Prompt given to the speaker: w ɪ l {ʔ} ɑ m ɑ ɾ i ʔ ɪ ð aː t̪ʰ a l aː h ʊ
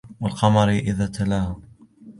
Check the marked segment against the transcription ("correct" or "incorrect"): incorrect